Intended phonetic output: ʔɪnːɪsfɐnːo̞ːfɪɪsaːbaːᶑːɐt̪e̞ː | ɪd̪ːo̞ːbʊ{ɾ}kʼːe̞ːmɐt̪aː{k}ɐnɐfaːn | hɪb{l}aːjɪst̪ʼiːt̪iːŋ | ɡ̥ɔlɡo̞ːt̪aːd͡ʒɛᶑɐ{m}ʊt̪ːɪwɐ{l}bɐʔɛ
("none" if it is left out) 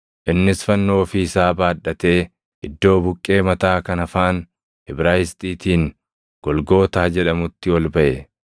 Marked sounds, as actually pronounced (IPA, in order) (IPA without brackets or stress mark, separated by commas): none, k, ɾ, m, l